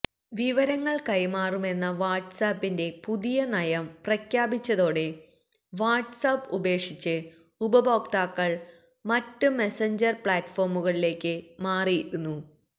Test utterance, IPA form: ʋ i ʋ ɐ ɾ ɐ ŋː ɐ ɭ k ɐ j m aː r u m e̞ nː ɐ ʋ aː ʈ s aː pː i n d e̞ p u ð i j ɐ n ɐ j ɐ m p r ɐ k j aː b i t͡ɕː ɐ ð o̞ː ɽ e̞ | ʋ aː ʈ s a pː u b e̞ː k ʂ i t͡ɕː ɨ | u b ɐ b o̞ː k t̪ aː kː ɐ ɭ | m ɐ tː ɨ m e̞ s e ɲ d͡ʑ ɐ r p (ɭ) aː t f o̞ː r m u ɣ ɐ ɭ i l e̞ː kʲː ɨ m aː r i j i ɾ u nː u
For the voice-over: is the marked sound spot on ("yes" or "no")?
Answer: yes